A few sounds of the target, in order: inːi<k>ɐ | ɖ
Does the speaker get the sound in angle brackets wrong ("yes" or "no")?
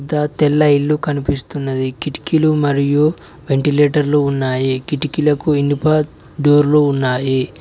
yes